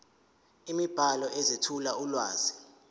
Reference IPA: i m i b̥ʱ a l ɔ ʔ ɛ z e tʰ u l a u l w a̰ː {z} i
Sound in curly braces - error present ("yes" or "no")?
no